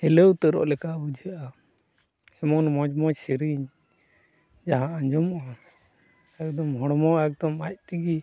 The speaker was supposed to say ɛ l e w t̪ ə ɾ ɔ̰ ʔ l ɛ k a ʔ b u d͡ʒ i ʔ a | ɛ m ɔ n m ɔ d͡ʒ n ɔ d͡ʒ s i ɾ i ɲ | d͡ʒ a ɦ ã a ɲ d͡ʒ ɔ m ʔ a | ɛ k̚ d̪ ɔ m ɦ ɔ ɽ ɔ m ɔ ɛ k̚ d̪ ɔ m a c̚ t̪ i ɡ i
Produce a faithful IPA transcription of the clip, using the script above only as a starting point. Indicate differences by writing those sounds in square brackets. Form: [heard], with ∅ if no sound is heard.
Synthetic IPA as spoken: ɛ l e w t̪ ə ɾ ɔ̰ ʔ l ɛ k a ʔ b u d͡ʒ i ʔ a | ɛ m ɔ n m ɔ d͡ʒ [m] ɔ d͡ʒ s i ɾ i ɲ | d͡ʒ a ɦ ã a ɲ d͡ʒ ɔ m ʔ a | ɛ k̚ d̪ ɔ m ɦ ɔ ɽ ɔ m ɔ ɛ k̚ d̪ ɔ m a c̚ t̪ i ɡ i

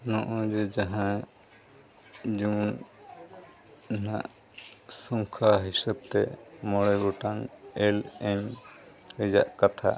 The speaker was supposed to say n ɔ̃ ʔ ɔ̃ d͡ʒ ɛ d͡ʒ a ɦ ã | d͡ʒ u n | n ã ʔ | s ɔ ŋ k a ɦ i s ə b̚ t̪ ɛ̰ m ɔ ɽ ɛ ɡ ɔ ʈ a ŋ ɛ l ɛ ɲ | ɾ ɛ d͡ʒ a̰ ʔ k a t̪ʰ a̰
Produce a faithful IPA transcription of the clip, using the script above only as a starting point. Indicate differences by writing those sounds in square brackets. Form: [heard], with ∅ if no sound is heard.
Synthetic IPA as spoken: n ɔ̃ ʔ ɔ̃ d͡ʒ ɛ d͡ʒ a ɦ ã | d͡ʒ u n | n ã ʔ | s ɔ ŋ [kʰ] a ɦ i s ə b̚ t̪ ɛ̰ m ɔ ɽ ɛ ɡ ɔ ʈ a ŋ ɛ l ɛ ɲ | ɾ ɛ d͡ʒ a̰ ʔ k a t̪ʰ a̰

